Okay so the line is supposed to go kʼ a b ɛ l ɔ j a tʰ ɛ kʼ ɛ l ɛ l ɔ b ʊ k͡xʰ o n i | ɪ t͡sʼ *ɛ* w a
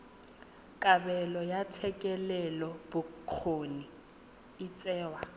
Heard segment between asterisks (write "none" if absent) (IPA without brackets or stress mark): ɛː